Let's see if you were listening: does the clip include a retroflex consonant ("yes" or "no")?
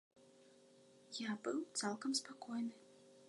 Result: no